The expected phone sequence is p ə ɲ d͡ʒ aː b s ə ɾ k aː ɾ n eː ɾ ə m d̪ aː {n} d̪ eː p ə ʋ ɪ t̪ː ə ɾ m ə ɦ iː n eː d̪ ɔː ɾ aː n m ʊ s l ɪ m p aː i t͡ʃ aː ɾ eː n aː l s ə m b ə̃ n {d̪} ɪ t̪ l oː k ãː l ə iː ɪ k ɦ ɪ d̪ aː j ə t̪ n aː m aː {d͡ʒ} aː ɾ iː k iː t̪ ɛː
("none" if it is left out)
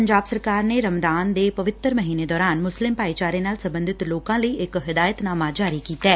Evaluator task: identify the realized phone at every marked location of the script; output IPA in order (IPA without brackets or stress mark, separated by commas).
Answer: n, d̪, d͡ʒ